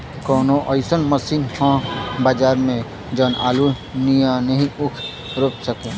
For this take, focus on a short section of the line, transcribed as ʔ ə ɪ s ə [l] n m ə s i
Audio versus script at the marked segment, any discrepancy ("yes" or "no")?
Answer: yes